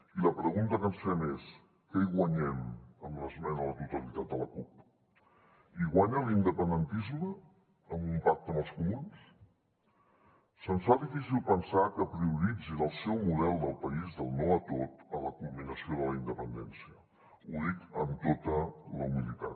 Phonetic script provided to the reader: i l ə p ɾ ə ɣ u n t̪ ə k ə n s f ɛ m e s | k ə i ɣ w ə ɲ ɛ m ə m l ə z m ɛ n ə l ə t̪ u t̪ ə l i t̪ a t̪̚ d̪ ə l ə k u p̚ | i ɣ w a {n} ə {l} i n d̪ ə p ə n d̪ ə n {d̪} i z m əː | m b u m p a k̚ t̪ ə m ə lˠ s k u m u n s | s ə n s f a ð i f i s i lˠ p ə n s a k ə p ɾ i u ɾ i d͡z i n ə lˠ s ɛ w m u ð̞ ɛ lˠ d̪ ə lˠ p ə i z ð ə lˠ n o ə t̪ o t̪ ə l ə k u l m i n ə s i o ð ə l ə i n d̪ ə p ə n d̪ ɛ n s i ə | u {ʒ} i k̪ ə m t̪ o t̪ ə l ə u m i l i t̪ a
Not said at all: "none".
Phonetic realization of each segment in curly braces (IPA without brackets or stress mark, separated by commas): ɲ, l, t̪, ð